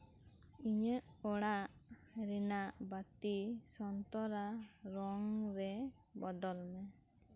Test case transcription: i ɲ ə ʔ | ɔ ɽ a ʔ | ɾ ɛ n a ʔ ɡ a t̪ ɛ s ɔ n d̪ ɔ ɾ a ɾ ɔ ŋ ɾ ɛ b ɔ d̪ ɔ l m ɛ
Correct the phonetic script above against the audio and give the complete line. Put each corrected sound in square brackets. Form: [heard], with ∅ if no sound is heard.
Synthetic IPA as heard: i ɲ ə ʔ | ɔ ɽ a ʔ | ɾ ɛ n a ʔ [b] a t̪ [i] s ɔ n [t̪] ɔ ɾ a ɾ ɔ ŋ ɾ ɛ b ɔ d̪ ɔ l m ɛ

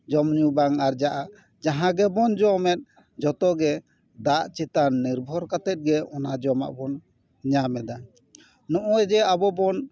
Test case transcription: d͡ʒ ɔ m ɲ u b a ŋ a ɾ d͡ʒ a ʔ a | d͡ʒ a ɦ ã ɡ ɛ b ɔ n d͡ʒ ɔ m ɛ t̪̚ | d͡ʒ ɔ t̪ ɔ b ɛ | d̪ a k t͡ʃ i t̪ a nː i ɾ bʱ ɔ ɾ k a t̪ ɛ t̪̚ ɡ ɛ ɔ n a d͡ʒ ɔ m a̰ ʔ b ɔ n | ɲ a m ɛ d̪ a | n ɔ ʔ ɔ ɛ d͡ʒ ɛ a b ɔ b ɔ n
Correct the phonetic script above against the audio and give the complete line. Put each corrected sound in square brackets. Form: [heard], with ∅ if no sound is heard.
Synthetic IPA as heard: d͡ʒ ɔ m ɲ u b a ŋ a ɾ d͡ʒ a ʔ a | d͡ʒ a ɦ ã ɡ ɛ b ɔ n d͡ʒ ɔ m ɛ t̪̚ | d͡ʒ ɔ t̪ ɔ [ɡ] ɛ | d̪ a [ʔ] t͡ʃ i t̪ a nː i ɾ bʱ ɔ ɾ k a t̪ ɛ t̪̚ ɡ ɛ ɔ n a d͡ʒ ɔ m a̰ ʔ b ɔ n | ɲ a m ɛ d̪ a | n ɔ ʔ ɔ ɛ d͡ʒ ɛ a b ɔ b ɔ n

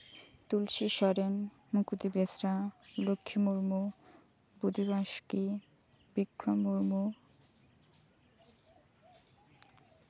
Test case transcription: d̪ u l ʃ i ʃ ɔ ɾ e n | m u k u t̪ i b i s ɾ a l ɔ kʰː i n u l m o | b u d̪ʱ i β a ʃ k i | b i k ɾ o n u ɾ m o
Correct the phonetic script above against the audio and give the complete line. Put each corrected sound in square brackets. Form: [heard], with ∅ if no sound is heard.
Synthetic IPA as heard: [t̪] u l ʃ i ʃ ɔ ɾ e n | m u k u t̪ i b [e] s ɾ a l [o] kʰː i [m] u [ɾ] m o | b u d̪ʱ i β a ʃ k i | b i k ɾ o [m] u ɾ m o

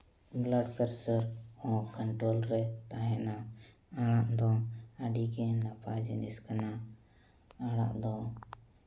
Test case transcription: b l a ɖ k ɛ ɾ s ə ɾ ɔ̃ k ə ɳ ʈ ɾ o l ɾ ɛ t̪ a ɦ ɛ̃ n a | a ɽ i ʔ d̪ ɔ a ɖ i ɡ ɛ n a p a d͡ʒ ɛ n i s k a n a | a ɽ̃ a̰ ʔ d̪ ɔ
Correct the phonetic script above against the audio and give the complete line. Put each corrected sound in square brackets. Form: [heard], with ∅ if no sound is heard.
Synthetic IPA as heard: b l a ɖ [p] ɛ ɾ s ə ɾ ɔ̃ k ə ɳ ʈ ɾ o l ɾ ɛ t̪ a ɦ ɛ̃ n a | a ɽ [a] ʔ d̪ ɔ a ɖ i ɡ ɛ n a p a d͡ʒ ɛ n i s k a n a | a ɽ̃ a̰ ʔ d̪ ɔ

